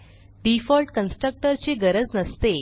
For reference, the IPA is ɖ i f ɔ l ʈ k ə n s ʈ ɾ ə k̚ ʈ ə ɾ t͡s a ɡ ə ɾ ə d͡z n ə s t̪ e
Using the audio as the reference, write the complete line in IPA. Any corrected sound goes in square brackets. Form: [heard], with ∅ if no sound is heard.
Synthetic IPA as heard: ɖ i f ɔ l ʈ k ə n s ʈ ɾ ə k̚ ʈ ə ɾ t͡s [e] ɡ ə ɾ ə d͡z n ə s t̪ e